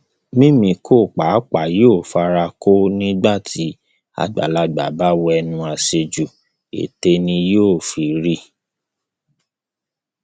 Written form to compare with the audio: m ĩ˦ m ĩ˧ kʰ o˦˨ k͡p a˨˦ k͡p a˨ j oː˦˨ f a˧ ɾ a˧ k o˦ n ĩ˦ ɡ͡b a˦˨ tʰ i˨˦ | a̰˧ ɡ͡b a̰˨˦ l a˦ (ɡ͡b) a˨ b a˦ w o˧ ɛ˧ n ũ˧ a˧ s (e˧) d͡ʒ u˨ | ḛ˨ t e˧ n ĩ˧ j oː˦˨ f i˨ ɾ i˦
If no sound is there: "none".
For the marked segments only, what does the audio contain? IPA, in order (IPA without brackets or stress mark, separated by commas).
ɡ͡b, e˧